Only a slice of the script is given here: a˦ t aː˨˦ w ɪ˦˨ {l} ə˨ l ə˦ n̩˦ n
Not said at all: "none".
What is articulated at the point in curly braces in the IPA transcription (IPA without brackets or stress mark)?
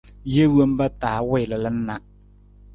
l